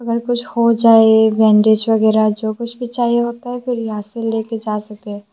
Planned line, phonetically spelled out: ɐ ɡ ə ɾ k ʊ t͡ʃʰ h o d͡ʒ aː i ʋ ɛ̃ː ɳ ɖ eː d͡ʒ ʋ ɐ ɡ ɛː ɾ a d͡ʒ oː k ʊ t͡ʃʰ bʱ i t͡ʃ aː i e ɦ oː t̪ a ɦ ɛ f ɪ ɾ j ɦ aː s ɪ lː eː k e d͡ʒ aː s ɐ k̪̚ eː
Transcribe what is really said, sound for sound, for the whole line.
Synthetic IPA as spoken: ɐ ɡ ə ɾ k ʊ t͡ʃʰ h o d͡ʒ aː e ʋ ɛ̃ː ɳ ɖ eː d͡ʒ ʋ ɐ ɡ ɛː ɾ a d͡ʒ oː k ʊ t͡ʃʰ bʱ i t͡ʃ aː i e ɦ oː t̪ a ɦ ɛ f ɪ ɾ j ɦ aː s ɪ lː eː k e d͡ʒ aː s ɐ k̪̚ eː